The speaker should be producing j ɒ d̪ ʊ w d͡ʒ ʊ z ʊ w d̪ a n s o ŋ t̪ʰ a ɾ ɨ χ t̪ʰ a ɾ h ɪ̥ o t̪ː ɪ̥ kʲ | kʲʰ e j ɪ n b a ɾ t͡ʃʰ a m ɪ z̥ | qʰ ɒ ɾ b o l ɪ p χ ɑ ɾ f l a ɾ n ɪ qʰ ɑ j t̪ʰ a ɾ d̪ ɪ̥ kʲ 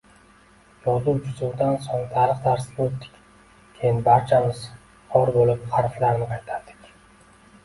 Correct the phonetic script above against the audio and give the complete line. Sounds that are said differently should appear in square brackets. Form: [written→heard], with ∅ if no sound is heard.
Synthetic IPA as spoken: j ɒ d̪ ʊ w d͡ʒ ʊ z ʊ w d̪ a n s o ŋ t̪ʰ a ɾ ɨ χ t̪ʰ a ɾ [h→s] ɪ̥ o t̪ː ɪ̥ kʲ | kʲʰ e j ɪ n b a ɾ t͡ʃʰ a m ɪ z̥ | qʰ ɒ ɾ b o l ɪ p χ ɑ ɾ f l a ɾ n ɪ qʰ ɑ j t̪ʰ a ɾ d̪ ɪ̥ kʲ